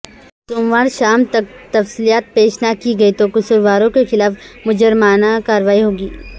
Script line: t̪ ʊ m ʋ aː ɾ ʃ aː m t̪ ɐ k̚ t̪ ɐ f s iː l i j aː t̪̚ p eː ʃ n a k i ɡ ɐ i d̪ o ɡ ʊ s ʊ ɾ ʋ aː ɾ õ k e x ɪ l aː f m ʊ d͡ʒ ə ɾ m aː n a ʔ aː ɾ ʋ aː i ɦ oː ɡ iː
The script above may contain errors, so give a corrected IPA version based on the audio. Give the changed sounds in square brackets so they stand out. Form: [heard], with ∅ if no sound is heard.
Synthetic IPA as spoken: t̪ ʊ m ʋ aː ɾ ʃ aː m t̪ ɐ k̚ t̪ ɐ f s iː l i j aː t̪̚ p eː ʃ n a k i ɡ ɐ i [t̪] o [k] ʊ s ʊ ɾ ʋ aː ɾ õ k e x ɪ l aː f m ʊ d͡ʒ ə ɾ m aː n a [k] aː ɾ ʋ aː i ɦ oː ɡ iː